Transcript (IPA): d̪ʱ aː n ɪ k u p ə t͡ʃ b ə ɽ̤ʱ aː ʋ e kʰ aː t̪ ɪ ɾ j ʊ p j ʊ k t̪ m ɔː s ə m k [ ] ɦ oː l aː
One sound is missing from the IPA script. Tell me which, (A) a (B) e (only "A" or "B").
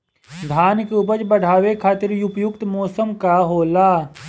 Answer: A